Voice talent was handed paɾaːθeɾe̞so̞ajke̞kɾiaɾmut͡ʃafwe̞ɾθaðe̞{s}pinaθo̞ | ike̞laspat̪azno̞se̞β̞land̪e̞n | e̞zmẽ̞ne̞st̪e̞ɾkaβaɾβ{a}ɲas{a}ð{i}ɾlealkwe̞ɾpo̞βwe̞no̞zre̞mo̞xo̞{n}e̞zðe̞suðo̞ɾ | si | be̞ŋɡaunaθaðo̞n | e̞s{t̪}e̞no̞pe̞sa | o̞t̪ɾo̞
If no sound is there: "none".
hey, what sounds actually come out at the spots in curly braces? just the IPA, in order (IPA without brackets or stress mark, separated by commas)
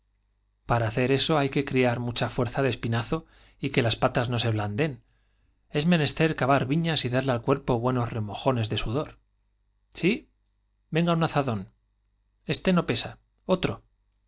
s, i, i, a, n, t̪